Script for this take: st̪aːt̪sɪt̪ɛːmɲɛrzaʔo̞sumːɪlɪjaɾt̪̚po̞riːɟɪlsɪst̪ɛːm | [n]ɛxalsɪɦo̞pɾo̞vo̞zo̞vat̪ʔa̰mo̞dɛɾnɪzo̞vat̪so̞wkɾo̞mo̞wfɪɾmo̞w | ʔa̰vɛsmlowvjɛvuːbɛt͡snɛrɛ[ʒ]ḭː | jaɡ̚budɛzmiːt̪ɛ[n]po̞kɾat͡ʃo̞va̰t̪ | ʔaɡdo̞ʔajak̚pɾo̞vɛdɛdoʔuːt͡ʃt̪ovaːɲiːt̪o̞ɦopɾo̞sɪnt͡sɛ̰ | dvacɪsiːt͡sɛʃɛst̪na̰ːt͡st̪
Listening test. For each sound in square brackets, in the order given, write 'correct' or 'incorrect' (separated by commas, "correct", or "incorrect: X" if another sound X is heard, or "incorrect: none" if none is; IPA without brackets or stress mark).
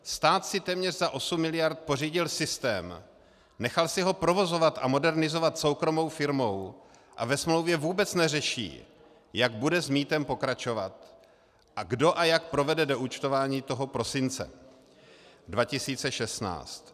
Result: correct, incorrect: ʃ, incorrect: m